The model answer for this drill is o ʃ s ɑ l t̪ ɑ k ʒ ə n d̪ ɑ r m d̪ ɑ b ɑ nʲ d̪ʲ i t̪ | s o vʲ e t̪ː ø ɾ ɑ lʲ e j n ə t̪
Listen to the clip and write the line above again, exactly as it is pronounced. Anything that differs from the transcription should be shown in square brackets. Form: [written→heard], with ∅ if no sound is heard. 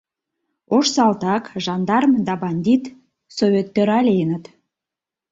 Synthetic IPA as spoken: o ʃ s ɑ l t̪ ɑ k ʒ [ə→ɑ] n d̪ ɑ r m d̪ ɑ b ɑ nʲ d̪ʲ i t̪ | s o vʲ e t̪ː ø ɾ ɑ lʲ e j n ə t̪